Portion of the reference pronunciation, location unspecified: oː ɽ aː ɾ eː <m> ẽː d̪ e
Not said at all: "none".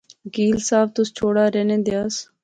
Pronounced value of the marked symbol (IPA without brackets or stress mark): n